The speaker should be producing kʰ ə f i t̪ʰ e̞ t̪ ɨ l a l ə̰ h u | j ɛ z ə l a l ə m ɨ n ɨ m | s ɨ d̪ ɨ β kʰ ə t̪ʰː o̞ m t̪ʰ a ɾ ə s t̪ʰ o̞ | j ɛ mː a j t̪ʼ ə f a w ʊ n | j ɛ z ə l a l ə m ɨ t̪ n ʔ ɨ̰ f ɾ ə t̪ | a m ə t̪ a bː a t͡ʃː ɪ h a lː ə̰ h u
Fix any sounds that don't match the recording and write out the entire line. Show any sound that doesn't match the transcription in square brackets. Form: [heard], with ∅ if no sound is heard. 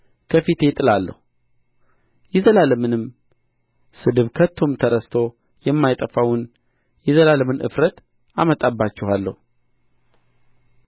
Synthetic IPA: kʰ ə f i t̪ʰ e̞ [t̪ʼ] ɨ l a [lː] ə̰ h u | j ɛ z ə l a l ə m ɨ n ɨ m | s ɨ d̪ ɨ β kʰ ə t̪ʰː o̞ m t̪ʰ [ə] ɾ ə s t̪ʰ o̞ | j ɛ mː a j t̪ʼ ə f a w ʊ n | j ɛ z ə l a l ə m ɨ [∅] n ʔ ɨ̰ f ɾ ə t̪ | a m ə [t̪ʼ] a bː a t͡ʃː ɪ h a lː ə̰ h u

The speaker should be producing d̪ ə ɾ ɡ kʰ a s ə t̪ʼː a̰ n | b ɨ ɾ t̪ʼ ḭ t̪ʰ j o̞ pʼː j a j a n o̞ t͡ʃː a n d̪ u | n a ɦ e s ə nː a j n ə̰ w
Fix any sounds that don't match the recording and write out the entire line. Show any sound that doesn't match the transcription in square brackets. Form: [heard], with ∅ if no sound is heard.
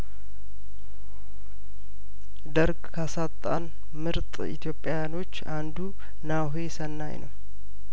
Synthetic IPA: d̪ ə ɾ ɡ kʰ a s [a] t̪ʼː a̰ n | [m] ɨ ɾ t̪ʼ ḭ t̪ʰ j o̞ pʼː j a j a n o̞ t͡ʃː a n d̪ u | n a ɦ e s ə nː a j n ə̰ w

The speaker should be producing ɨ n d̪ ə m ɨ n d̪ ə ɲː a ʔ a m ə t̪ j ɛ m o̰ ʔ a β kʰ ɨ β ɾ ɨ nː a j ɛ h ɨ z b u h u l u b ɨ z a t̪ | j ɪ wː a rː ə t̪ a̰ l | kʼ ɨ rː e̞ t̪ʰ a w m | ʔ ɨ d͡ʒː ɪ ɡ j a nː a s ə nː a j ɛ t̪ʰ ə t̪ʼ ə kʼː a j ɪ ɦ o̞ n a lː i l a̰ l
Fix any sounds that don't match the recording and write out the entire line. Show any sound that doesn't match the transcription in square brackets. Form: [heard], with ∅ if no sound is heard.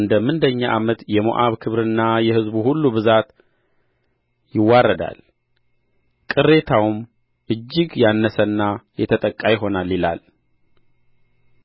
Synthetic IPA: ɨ n d̪ ə m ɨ n d̪ ə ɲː a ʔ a m ə t̪ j ɛ m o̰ ʔ a β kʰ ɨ β ɾ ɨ nː a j ɛ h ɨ z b u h u [lː] u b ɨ z a t̪ | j ɪ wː a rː ə [d̪] a̰ l | kʼ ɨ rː e̞ t̪ʰ a w m | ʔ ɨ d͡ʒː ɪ ɡ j a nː [ə] s ə nː a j ɛ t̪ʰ ə t̪ʼ ə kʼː a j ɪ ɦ o̞ n a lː i l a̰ l

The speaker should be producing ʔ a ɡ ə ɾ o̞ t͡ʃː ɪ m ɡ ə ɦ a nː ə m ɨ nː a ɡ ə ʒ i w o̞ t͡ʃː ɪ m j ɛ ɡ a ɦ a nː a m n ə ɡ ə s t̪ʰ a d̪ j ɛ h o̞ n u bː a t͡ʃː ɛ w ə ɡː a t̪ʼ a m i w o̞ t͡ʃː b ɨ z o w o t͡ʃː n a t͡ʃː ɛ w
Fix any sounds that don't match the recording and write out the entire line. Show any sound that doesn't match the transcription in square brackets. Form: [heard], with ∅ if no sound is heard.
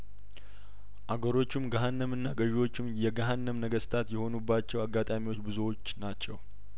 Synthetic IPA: ʔ a ɡ ə ɾ o̞ t͡ʃː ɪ m ɡ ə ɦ a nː ə m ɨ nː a ɡ ə ʒ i w o̞ t͡ʃː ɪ m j ɛ ɡ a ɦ a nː [ə] m n ə ɡ ə s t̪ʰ a [t̪] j ɛ h o̞ n u bː a t͡ʃː ɛ w [a] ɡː a t̪ʼ a m i w o̞ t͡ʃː b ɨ z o w o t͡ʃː n a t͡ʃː ɛ w

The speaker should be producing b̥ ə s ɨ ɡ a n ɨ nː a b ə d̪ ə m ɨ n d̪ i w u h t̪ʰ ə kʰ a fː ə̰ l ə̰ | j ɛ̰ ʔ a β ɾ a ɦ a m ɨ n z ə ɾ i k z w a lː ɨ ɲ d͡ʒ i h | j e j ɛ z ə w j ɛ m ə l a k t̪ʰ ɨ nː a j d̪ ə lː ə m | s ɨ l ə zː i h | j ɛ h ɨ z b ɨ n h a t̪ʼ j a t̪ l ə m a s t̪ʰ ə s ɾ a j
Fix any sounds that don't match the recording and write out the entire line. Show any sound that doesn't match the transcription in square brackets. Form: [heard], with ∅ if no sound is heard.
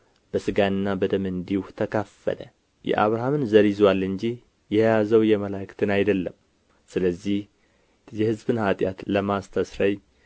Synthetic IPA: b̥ ə s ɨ ɡ a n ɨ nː a b ə d̪ ə m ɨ n d̪ i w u h t̪ʰ ə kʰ a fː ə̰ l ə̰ | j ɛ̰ ʔ a β ɾ a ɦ a m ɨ n z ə ɾ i [∅] z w a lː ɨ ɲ d͡ʒ i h | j [ɛ] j [a] z ə w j ɛ m ə l a k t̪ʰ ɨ [n] a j d̪ ə lː ə m | s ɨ l ə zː i h | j ɛ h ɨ z b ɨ n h a t̪ʼ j a t̪ l ə m a s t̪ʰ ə s ɾ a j

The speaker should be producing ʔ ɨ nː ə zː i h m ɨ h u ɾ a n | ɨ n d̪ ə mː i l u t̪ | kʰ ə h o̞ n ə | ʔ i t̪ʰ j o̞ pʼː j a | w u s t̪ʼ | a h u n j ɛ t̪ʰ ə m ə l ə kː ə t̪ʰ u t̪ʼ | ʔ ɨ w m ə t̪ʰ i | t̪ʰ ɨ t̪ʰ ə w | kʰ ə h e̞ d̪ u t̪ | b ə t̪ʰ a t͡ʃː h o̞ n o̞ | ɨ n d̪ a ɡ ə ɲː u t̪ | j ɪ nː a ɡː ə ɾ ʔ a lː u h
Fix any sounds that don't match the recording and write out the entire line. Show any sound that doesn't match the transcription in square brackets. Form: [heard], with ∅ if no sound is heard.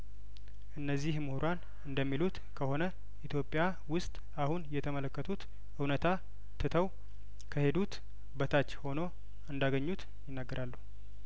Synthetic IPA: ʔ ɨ nː ə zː i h m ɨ h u ɾ a n | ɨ n d̪ ə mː i l u t̪ | kʰ ə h o̞ n ə | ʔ i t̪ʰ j o̞ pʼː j a | w [ʊ] s t̪ʼ | a h u n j ɛ t̪ʰ ə m ə l ə kː ə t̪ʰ u [t̪] | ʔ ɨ w [n] ə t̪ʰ [a] | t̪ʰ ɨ t̪ʰ ə w | kʰ ə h e̞ d̪ u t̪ | b ə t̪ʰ a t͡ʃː h o̞ n o̞ | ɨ n d̪ a ɡ ə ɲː u t̪ | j ɪ nː a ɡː ə ɾ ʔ a lː u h

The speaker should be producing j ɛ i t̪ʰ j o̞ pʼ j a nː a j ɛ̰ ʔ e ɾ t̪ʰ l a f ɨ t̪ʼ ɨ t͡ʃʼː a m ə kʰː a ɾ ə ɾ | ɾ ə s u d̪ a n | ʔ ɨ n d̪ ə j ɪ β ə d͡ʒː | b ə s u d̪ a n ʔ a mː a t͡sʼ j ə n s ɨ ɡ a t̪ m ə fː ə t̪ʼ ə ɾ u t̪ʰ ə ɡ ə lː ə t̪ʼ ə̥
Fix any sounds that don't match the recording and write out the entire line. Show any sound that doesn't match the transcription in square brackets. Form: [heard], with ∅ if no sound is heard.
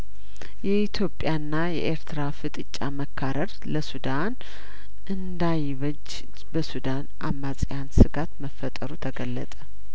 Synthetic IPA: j ɛ i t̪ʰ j o̞ pʼ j a nː a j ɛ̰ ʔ e ɾ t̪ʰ [ɾ] a f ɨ t̪ʼ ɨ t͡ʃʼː a m ə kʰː a ɾ ə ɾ | [l] ə s u d̪ a n | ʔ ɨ n d̪ [a] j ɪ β ə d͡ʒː | b ə s u d̪ a n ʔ a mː a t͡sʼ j [a] n s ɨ ɡ a t̪ m ə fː ə t̪ʼ ə ɾ u t̪ʰ ə ɡ ə lː ə t̪ʼ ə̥

